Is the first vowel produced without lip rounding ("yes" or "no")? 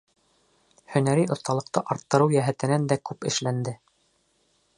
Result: no